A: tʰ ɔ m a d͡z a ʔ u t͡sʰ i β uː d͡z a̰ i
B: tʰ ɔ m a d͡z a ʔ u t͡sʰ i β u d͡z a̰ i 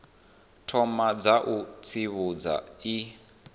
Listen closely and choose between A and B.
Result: B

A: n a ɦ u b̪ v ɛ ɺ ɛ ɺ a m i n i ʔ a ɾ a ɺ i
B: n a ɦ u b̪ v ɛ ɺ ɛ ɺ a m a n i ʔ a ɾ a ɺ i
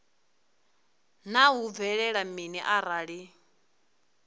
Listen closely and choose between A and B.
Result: A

